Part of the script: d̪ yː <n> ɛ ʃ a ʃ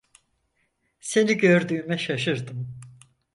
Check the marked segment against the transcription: incorrect: m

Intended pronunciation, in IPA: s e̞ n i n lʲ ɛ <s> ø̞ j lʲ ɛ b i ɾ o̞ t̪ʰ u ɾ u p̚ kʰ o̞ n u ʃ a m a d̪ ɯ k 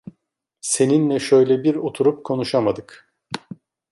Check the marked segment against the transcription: incorrect: ʃ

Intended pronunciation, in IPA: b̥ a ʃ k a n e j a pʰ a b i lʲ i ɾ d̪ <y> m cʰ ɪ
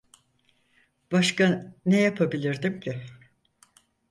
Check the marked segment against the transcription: incorrect: i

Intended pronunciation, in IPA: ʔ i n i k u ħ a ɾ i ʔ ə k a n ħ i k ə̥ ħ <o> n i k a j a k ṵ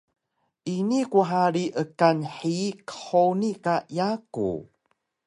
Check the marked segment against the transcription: correct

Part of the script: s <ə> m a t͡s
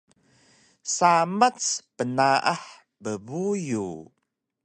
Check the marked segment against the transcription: incorrect: a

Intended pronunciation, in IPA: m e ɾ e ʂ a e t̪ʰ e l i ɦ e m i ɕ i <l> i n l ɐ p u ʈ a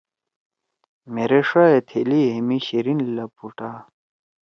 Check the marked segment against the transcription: incorrect: ɾ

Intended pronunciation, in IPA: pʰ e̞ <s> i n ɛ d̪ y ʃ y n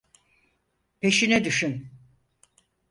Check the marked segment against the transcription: incorrect: ʃ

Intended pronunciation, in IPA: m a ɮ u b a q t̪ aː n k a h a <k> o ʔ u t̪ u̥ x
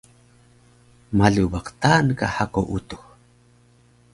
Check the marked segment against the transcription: correct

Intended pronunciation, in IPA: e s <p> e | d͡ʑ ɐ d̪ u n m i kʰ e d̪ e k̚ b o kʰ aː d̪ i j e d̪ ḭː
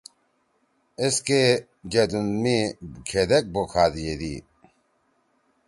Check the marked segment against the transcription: incorrect: k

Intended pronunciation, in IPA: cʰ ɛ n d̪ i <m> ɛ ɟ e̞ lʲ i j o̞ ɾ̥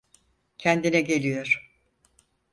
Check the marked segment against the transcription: incorrect: n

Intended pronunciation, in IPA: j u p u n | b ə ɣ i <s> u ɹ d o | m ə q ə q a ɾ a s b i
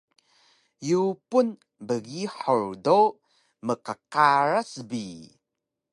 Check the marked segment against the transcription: incorrect: ħ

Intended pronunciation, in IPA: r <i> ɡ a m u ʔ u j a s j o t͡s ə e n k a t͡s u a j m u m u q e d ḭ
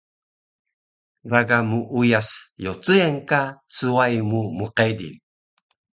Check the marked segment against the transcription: incorrect: a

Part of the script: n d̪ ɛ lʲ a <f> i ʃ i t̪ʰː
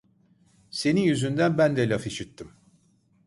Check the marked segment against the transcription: correct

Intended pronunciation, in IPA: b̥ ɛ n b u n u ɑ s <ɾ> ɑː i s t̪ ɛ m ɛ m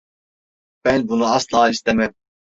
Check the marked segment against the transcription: incorrect: l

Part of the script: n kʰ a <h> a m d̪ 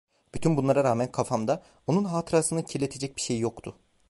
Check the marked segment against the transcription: incorrect: f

